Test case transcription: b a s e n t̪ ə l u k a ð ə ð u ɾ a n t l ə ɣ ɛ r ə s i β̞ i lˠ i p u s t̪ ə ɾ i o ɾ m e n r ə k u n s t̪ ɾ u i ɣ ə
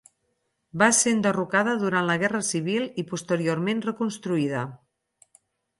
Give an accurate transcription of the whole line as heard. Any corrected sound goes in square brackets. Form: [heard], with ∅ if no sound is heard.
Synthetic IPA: b a s e n [d̪] ə [r] u k a ð ə ð u ɾ a n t l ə ɣ ɛ r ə s i β̞ i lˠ i p u s t̪ ə ɾ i o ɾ m e n r ə k u n s t̪ ɾ u i [ð] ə